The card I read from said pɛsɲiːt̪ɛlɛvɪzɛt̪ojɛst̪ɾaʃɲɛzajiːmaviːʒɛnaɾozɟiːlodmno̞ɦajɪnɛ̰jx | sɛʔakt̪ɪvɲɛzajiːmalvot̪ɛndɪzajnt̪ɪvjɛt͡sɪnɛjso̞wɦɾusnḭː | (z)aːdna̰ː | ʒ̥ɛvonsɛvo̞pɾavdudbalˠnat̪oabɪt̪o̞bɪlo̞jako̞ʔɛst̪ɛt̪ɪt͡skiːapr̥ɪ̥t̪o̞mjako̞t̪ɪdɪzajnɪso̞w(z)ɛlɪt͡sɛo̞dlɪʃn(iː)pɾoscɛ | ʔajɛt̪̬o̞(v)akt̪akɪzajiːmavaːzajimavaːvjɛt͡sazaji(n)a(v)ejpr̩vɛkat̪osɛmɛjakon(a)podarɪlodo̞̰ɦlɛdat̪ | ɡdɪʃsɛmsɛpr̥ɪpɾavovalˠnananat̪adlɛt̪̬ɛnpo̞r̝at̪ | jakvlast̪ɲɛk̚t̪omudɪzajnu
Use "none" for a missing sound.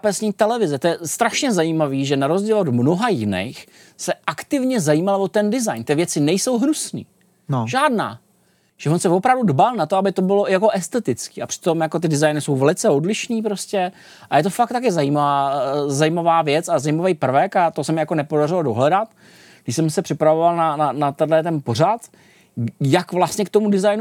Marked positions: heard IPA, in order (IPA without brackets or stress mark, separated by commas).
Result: ʒ, v, iː, f, m, v, ɛ